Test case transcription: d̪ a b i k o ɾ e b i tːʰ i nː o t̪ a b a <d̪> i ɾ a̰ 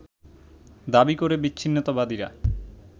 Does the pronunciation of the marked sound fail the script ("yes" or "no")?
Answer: no